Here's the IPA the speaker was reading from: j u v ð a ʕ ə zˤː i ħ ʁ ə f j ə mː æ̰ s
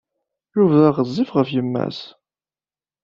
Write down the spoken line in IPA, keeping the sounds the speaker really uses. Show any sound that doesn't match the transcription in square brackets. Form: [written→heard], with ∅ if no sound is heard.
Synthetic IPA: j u v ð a [ʕ→ʁ] ə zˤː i [ħ→f] ʁ ə f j ə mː æ̰ s

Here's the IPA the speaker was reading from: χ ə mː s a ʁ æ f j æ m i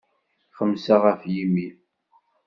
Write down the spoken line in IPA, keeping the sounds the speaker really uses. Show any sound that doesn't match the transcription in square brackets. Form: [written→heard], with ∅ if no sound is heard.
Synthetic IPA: χ ə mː s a ʁ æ f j [æ→i] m i

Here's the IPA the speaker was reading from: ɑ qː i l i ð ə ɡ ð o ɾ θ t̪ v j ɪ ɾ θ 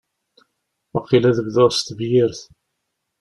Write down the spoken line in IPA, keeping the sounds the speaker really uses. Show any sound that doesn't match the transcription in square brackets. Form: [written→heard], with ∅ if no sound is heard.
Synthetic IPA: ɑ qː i l [i→æ] ð ə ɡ ð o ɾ [θ→s] t̪ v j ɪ ɾ θ

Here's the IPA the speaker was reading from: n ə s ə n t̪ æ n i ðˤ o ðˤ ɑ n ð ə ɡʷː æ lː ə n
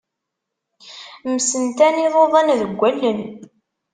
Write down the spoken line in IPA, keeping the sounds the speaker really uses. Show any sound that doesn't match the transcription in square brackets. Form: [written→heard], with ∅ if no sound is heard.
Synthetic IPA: [n→m] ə s ə n t̪ æ n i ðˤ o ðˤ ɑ n ð ə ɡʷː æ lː ə n

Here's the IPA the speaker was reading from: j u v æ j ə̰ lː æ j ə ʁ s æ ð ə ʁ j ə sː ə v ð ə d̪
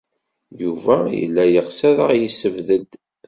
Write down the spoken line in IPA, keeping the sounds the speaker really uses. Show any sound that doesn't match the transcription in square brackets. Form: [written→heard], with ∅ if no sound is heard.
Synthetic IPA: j u v æ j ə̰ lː æ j ə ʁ s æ ð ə ʁ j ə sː ə v ð ə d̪

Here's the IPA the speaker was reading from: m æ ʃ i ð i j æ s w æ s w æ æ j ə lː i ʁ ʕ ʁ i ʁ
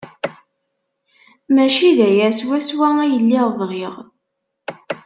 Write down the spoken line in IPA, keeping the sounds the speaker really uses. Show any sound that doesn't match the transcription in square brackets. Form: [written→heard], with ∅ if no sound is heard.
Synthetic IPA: m æ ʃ i ð [i→æ] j æ s w æ s w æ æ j ə lː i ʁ [ʕ→v] ʁ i ʁ

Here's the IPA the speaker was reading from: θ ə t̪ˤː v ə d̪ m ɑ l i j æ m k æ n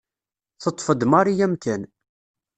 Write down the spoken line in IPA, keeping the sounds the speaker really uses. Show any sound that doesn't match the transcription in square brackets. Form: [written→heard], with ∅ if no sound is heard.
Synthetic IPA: θ ə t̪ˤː [v→f] ə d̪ m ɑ [l→ɾ] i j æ m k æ n

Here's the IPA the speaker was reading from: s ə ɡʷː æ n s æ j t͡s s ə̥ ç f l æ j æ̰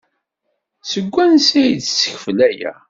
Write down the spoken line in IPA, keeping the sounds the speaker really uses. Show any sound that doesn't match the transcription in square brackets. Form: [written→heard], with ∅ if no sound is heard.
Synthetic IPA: s ə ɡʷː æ n s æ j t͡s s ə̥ ç f l æ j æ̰

